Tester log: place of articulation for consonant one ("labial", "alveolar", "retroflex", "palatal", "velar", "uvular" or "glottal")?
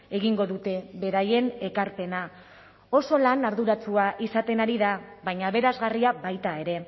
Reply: velar